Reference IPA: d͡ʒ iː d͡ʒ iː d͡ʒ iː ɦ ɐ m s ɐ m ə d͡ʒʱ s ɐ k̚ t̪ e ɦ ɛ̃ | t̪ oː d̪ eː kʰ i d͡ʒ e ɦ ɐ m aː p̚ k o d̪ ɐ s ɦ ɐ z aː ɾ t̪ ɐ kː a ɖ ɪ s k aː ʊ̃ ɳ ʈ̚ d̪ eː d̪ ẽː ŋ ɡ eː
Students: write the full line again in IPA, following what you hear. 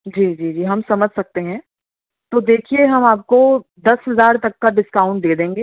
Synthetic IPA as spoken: d͡ʒ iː d͡ʒ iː d͡ʒ iː ɦ ɐ m s ɐ m ə d͡ʒʱ s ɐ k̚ t̪ e ɦ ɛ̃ | t̪ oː d̪ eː kʰ i e ɦ ɐ m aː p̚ k o d̪ ɐ s ɦ ɐ z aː ɾ t̪ ɐ kː a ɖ ɪ s k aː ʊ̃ ɳ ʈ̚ d̪ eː d̪ ẽː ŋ ɡ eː